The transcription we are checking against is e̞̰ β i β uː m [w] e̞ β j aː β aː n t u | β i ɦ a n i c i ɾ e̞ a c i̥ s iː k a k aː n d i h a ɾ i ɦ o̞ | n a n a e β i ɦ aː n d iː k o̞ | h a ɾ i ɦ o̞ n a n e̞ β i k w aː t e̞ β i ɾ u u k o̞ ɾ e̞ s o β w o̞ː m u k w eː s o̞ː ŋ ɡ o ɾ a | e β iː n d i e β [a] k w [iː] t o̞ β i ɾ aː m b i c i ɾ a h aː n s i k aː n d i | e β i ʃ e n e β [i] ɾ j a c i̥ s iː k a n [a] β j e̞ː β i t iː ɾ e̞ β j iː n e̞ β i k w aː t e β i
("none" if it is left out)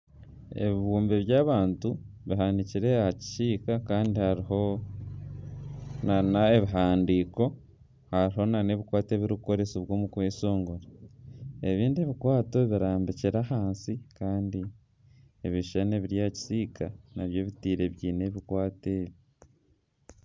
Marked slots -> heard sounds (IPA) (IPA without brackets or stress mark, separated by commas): b, i, aː, i, a